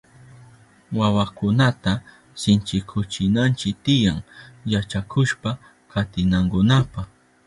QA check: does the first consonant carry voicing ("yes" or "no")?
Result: yes